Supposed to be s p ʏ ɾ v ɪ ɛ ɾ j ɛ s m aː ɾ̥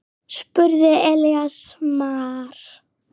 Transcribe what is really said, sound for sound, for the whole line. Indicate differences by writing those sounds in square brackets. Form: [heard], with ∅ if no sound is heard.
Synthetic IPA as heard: s p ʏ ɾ [ð] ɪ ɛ [l] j [a] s m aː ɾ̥